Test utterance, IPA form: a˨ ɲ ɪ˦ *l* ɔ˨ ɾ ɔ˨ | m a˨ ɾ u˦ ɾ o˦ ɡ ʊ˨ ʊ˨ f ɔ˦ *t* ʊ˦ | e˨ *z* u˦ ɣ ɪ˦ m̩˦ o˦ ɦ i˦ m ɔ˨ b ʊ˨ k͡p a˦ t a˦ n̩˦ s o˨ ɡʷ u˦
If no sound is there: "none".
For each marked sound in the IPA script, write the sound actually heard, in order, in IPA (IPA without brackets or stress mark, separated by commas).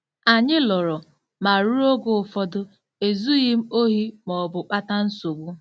l, d, z